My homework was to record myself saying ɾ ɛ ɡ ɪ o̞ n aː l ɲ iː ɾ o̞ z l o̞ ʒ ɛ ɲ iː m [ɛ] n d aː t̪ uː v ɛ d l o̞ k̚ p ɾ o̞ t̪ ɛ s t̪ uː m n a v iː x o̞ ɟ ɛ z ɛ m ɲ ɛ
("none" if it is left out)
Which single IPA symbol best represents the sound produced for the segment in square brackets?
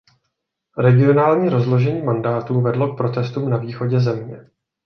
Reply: a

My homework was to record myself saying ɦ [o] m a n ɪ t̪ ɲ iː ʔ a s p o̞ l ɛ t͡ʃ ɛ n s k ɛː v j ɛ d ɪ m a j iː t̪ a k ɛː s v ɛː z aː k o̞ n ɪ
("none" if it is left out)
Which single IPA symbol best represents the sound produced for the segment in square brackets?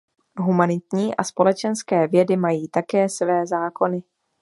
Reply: u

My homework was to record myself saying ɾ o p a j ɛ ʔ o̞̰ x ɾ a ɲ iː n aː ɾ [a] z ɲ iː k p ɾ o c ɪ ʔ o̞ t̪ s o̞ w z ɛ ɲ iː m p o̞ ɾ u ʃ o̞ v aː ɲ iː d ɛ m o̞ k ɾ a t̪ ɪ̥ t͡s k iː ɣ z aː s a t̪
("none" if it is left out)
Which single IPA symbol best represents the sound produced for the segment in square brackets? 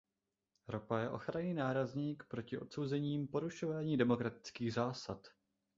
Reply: a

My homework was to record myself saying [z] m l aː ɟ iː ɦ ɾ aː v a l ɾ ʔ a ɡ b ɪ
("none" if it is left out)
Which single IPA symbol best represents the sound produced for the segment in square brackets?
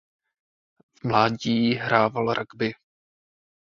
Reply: v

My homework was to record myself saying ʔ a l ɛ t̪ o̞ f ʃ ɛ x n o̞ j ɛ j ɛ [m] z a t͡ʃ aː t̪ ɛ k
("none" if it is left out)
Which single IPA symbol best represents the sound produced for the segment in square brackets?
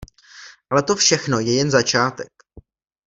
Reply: n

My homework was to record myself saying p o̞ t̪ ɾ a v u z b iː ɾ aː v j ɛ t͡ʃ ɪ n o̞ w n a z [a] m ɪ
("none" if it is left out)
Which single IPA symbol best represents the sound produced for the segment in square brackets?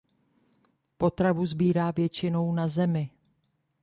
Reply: ɛ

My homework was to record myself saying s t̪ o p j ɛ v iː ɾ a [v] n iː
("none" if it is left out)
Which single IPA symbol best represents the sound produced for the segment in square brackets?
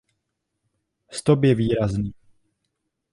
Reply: z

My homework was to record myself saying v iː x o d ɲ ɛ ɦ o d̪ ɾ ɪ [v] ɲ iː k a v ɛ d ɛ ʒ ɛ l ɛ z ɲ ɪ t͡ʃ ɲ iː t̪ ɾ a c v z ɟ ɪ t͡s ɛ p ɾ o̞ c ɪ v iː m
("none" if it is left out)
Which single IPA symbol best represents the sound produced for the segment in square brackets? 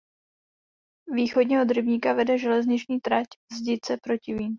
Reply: b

